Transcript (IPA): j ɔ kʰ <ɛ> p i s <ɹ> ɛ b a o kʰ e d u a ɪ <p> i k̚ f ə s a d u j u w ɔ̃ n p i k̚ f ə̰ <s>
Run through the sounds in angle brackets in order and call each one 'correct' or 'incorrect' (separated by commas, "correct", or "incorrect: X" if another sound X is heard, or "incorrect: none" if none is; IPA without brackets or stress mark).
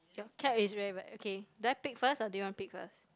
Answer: correct, correct, correct, correct